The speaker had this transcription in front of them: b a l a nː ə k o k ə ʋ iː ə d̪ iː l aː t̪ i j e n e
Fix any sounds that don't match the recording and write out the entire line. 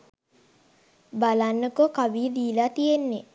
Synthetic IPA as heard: b a l a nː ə k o k a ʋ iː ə d̪ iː l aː t̪ i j e nː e